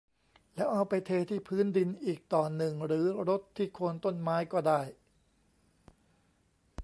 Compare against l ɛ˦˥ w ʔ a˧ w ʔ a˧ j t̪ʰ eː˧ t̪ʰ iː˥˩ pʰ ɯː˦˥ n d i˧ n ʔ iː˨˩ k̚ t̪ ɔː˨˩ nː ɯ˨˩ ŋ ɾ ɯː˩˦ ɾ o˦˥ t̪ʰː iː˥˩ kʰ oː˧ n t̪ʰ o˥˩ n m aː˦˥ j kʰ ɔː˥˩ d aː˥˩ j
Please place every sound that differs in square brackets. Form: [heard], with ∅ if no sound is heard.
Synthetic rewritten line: l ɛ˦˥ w ʔ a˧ w [p] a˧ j t̪ʰ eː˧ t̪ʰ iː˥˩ pʰ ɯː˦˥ n d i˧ n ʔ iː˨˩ k̚ t̪ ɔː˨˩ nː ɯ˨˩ ŋ ɾ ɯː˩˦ ɾ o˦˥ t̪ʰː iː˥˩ kʰ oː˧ n [t̪] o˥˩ n m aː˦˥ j [k] ɔː˥˩ d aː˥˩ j